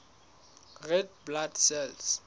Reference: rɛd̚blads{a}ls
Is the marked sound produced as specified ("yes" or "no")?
no